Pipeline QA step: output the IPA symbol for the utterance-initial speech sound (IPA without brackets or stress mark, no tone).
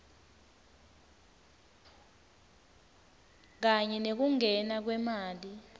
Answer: k̬